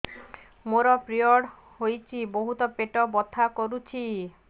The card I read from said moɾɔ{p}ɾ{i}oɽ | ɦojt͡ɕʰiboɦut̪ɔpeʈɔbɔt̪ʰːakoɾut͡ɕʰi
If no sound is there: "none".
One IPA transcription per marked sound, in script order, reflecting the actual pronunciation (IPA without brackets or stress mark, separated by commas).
p, i